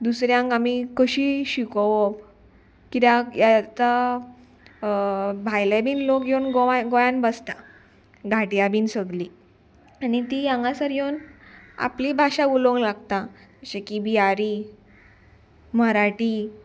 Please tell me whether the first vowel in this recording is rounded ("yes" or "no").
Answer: yes